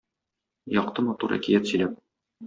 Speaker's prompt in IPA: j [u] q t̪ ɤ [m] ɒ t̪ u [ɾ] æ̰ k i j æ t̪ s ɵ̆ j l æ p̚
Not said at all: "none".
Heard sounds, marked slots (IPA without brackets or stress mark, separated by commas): ɒ, m, ɾ